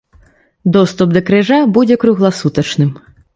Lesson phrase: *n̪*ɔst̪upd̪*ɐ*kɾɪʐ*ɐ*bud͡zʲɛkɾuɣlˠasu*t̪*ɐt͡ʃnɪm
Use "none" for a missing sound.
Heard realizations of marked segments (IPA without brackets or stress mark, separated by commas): d̪, ɐ, a, t̪